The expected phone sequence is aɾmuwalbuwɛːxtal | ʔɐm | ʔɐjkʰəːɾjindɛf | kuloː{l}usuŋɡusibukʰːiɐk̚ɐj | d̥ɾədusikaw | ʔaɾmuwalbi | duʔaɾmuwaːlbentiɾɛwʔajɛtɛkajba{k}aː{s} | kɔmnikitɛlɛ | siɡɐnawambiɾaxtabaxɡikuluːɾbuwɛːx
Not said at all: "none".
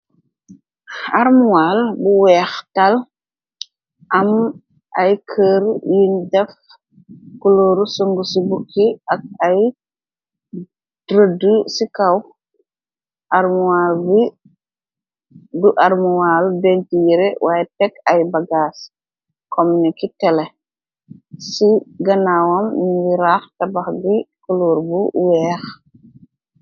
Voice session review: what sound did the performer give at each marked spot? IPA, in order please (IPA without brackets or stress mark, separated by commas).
ɾ, ɡ, s